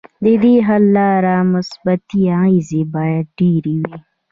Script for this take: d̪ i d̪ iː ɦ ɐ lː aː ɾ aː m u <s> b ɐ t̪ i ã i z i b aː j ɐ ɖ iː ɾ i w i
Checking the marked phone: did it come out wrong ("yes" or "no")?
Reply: no